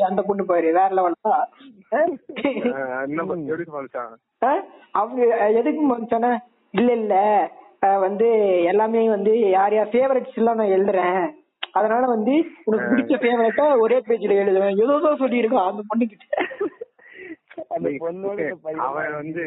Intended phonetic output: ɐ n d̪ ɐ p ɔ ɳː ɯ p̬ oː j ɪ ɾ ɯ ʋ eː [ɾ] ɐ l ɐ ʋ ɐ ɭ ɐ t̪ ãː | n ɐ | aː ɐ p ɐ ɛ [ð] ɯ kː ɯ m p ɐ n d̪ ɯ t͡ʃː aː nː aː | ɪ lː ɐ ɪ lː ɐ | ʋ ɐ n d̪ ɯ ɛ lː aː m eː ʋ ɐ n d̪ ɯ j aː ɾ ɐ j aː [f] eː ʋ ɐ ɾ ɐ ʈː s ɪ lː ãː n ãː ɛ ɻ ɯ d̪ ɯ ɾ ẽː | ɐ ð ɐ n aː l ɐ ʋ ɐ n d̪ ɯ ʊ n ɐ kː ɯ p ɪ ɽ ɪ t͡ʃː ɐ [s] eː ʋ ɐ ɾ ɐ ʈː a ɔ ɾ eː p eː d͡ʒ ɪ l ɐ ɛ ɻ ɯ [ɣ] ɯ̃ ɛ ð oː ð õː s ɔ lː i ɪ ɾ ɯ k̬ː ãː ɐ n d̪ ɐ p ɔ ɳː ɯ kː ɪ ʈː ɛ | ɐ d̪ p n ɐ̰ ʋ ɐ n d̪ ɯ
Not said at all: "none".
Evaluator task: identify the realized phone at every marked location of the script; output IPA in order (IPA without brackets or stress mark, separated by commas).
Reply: ɾ, ð, f, f, ð